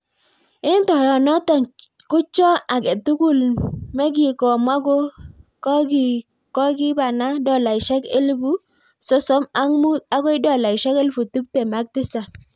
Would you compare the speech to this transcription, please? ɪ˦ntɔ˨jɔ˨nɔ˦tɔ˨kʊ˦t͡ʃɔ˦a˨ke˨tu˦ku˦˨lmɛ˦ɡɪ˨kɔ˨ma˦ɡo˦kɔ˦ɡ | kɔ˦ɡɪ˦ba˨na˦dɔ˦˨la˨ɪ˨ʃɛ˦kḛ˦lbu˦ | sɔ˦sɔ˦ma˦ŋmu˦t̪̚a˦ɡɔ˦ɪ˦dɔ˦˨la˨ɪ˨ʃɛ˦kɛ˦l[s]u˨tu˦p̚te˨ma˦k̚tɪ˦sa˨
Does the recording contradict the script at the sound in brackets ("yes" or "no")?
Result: yes